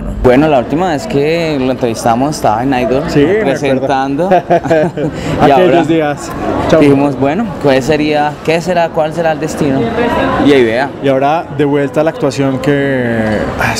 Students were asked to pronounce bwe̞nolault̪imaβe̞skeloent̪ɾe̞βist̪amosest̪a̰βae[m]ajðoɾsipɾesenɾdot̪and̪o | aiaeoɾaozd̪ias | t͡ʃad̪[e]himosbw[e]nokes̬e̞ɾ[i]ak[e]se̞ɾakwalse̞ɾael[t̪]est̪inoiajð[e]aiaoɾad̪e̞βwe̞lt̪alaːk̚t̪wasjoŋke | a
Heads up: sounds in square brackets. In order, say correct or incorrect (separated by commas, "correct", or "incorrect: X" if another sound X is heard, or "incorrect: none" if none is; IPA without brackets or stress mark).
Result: incorrect: n, incorrect: i, correct, correct, correct, incorrect: d̪, correct